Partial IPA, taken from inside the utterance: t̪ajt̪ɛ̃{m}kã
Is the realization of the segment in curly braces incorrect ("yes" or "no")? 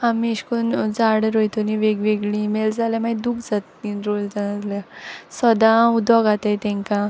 yes